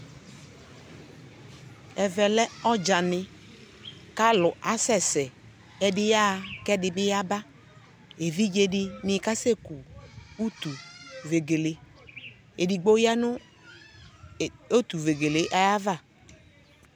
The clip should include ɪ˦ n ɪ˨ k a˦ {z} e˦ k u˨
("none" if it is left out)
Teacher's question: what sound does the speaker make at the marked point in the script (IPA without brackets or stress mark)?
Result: s